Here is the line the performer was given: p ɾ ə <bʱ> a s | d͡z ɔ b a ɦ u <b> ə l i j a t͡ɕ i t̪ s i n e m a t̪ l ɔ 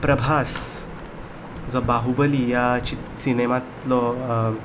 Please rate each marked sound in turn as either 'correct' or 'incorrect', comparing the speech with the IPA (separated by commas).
correct, correct